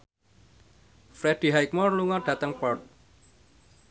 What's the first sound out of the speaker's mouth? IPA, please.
f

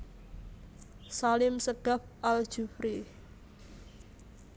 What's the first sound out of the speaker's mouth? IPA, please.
s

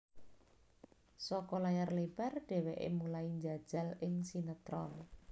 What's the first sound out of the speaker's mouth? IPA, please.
s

